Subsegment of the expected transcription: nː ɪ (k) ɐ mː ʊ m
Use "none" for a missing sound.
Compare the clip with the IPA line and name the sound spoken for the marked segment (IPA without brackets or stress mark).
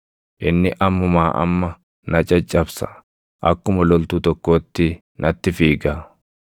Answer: ʔ